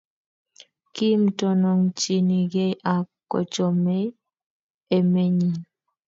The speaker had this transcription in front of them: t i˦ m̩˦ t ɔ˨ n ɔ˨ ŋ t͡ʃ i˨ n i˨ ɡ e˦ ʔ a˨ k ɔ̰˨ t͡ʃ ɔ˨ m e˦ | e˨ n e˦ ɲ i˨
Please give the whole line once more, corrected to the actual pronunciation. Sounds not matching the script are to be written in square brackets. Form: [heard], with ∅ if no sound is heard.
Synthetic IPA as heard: [k] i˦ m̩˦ t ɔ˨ n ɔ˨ ŋ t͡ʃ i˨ n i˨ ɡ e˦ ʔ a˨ k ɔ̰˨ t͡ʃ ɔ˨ m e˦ | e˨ [m] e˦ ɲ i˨